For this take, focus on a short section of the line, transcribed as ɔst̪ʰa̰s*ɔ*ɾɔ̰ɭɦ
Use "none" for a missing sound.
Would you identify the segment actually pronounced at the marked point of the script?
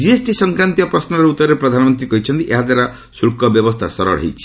ɔ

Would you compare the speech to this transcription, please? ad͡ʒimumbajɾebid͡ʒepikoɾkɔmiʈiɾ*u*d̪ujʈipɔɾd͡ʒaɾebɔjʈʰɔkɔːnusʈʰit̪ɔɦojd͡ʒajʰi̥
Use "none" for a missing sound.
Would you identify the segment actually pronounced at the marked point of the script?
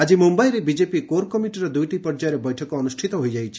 ɔ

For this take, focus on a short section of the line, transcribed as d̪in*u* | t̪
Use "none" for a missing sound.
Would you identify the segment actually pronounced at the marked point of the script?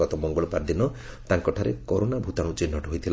ɔ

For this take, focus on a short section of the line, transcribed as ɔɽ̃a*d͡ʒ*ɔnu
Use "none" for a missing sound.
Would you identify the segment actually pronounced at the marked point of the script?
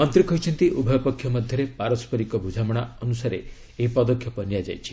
none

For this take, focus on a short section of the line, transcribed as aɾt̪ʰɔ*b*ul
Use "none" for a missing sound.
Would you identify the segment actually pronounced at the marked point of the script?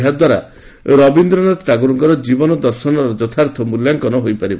m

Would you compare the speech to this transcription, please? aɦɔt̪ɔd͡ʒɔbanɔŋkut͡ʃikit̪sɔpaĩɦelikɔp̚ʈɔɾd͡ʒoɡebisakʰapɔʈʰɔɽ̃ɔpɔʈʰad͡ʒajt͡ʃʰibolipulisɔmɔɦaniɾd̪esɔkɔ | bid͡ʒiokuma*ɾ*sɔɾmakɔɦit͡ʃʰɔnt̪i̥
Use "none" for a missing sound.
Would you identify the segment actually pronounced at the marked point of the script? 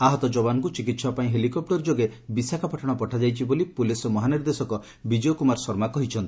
ɾ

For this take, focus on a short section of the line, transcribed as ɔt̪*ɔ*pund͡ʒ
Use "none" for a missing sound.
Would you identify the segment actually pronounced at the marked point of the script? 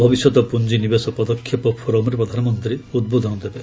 ɔ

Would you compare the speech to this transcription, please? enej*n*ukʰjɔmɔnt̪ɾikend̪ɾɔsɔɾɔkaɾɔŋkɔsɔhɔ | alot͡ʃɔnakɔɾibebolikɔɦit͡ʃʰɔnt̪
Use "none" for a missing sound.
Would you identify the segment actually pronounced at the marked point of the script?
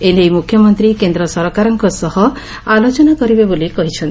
m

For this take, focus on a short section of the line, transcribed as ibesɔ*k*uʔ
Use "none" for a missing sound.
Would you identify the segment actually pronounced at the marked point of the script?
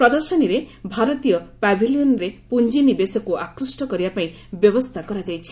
k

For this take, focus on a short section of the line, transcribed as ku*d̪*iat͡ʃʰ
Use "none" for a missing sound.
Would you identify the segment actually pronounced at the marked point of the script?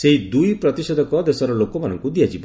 d̪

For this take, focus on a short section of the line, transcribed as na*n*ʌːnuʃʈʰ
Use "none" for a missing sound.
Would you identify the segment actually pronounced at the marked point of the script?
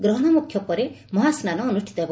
n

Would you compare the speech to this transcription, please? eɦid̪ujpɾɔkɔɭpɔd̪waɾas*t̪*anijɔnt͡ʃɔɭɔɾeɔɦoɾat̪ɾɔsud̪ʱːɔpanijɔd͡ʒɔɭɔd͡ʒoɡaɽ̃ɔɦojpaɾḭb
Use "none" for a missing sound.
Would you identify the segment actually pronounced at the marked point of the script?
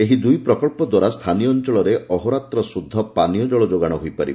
t̪ʰ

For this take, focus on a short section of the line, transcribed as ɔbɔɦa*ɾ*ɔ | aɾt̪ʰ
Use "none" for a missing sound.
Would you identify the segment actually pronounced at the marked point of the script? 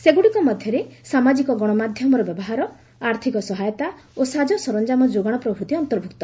ɾ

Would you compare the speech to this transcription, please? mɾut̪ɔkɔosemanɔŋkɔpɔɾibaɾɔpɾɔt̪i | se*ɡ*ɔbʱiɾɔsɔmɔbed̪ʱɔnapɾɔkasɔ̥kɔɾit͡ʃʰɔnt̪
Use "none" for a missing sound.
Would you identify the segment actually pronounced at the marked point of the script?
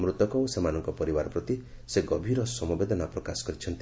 ɡ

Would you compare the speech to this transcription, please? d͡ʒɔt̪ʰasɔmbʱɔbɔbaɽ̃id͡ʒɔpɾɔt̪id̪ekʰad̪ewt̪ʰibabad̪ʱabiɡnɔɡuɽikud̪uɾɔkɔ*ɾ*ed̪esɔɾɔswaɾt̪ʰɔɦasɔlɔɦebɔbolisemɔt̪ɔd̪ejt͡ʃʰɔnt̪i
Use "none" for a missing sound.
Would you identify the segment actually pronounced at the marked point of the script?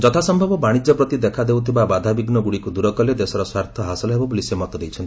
l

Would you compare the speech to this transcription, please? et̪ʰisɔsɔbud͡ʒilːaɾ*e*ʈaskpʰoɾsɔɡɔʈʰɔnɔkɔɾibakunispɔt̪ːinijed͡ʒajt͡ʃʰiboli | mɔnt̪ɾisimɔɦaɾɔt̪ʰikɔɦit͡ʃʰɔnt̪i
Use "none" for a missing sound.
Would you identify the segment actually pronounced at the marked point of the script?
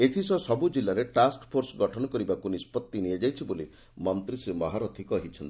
e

